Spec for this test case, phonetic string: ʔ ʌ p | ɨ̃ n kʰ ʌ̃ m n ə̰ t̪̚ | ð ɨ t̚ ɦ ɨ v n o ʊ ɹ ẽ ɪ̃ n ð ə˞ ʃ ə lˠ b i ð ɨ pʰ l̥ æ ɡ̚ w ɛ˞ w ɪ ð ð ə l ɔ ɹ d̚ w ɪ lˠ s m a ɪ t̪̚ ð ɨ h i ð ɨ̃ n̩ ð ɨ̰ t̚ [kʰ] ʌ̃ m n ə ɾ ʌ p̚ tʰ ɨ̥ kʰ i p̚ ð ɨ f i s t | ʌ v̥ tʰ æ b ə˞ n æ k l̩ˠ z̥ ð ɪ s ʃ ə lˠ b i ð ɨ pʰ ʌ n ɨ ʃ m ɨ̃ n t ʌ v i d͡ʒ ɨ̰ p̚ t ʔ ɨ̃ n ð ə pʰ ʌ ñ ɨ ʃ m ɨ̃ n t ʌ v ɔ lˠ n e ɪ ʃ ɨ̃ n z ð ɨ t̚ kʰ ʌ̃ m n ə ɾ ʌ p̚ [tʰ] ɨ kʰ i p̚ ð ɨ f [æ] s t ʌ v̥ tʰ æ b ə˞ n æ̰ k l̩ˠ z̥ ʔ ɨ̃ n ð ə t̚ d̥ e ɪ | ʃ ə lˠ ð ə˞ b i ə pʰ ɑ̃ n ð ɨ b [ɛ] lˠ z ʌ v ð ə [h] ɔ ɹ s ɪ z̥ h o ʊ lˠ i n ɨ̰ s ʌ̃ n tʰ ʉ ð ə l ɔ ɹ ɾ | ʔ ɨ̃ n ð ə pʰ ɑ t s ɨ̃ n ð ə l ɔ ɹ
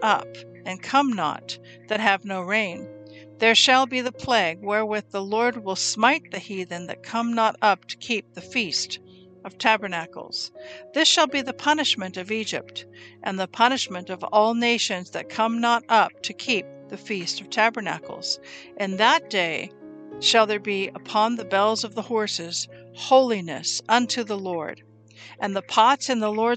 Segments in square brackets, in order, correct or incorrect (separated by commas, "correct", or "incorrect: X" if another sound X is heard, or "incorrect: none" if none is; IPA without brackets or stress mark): correct, correct, incorrect: i, correct, correct